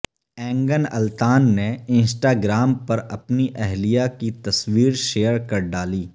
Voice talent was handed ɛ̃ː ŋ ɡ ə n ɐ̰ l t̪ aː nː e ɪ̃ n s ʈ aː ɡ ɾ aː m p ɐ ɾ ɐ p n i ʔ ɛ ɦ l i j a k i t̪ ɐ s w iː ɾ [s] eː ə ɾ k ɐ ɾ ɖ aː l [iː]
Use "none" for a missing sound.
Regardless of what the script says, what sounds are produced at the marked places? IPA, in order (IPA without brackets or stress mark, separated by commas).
ʃ, iː